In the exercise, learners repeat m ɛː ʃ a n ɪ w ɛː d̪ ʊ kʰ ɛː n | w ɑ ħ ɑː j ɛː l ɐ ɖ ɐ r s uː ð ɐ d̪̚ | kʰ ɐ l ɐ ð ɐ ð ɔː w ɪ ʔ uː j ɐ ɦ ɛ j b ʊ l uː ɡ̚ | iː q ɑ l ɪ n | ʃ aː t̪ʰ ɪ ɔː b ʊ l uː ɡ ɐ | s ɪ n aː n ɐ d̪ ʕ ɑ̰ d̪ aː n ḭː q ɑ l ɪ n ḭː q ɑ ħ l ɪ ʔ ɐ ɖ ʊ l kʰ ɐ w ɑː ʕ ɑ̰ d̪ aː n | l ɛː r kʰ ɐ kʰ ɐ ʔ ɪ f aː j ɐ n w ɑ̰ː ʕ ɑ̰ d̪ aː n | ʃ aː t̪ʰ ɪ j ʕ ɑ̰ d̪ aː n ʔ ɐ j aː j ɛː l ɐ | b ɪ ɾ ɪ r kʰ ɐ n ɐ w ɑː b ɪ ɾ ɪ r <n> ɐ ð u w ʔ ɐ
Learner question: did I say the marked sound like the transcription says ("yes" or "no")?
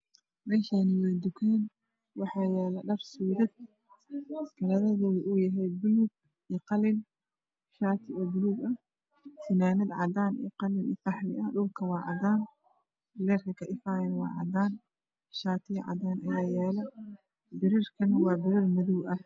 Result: no